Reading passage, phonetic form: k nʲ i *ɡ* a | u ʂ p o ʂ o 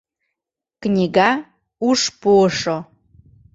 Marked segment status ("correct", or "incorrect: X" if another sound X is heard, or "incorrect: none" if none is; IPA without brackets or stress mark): correct